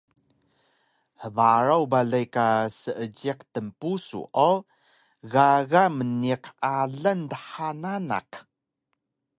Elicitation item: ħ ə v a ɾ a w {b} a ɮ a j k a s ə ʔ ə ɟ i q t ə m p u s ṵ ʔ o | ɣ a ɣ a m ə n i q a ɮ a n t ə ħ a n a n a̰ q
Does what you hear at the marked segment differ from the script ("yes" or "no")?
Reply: no